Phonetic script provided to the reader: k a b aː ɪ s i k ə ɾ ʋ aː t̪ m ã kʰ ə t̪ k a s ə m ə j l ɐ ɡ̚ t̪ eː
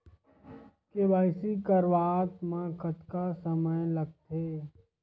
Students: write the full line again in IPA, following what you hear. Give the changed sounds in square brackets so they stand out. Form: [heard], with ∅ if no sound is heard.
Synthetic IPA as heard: k [e] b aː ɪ s i k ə ɾ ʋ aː t̪ m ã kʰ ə t̪ k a s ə m ə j l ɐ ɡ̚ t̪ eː